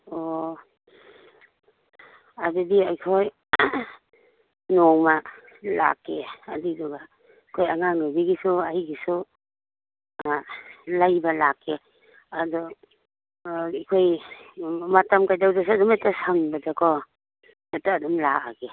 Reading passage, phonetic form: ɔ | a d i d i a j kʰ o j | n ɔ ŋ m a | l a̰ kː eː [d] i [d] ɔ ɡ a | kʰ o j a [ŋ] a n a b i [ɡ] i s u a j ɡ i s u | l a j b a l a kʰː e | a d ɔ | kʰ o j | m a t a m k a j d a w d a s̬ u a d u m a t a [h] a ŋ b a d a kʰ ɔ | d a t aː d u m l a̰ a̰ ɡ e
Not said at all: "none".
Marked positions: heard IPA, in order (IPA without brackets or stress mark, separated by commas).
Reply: d, d, ŋ, ɡ, s